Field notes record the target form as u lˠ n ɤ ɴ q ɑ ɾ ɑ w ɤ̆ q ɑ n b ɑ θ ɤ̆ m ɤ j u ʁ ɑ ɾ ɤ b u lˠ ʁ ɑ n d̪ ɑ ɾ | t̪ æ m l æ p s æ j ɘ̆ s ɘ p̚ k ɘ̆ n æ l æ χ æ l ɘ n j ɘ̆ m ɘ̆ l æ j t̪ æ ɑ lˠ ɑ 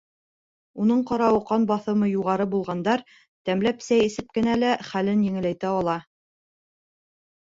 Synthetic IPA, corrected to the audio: u n ɤ ɴ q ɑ ɾ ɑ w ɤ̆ q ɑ n b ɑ θ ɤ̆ m ɤ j u ʁ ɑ ɾ ɤ b u lˠ ʁ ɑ n d̪ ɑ ɾ | t̪ æ m l æ p s æ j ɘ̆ s ɘ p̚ k ɘ̆ n æ l æ χ æ l ɘ n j ɘ̆ ŋ ɘ̆ l æ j t̪ æ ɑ lˠ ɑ